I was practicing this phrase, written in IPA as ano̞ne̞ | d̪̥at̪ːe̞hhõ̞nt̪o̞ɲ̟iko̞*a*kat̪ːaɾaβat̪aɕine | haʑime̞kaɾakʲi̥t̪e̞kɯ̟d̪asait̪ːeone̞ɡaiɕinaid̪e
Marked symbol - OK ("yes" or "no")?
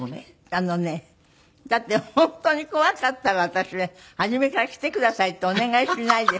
yes